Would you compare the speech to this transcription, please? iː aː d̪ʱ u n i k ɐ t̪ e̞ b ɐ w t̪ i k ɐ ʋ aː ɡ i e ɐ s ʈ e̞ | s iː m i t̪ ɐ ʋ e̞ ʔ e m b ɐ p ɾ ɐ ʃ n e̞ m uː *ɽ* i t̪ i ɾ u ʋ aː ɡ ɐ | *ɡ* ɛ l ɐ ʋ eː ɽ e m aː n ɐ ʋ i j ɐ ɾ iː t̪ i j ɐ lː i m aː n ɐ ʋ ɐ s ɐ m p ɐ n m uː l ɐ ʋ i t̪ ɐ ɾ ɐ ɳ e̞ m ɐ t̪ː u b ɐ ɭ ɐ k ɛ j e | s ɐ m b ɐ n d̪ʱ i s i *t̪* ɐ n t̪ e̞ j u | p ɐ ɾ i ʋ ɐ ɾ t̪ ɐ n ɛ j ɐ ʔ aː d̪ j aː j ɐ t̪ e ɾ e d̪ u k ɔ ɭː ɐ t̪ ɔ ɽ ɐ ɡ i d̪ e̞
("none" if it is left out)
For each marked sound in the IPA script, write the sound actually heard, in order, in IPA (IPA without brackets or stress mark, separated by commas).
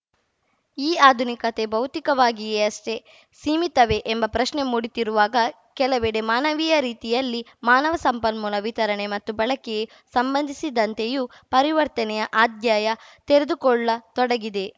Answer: ɽ, k, d̪